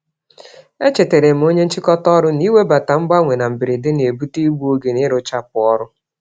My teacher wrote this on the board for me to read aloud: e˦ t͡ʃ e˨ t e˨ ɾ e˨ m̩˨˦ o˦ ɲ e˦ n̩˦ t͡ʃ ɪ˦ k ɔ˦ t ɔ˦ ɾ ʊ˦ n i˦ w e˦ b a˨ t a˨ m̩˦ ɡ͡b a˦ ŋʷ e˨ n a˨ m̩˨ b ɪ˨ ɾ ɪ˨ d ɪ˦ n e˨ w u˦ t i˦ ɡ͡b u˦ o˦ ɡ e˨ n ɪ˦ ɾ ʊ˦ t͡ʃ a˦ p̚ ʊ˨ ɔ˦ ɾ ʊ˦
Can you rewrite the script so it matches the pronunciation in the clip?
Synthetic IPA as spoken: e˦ t͡ʃ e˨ t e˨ ɾ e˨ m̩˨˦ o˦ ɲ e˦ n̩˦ t͡ʃ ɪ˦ k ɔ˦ t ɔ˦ ɾ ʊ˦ n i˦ w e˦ b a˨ t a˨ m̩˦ ɡ͡b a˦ ŋʷ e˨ n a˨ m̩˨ b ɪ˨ ɾ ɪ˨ d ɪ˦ n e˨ b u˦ t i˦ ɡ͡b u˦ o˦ ɡ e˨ n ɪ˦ ɾ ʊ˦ t͡ʃ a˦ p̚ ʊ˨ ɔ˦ ɾ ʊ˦